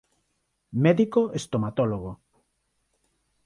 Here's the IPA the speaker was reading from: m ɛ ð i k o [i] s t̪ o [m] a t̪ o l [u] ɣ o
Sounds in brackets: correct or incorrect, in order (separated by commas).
incorrect, correct, incorrect